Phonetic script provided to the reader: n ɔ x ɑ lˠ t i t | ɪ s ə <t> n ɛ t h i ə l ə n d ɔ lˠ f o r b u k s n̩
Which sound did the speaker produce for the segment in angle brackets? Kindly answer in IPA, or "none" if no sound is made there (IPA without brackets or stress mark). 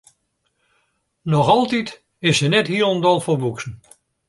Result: none